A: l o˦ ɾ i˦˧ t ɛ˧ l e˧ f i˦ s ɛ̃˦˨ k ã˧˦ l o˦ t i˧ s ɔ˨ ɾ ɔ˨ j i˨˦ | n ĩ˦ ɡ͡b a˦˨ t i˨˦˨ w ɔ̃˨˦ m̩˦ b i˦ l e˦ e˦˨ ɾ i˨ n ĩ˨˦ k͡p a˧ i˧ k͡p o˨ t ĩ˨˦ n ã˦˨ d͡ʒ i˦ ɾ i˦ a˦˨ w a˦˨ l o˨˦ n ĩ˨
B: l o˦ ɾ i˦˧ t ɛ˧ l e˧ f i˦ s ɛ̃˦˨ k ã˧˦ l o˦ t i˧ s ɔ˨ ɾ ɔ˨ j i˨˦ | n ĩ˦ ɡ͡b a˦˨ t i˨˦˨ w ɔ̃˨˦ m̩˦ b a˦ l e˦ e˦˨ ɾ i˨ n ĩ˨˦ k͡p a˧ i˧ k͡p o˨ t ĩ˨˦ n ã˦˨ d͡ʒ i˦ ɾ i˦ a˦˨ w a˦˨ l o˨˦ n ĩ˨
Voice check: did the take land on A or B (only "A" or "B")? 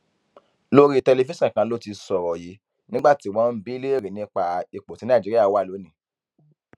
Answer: A